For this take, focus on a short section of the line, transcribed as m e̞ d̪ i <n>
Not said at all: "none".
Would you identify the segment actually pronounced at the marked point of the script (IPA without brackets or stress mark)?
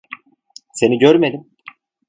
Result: m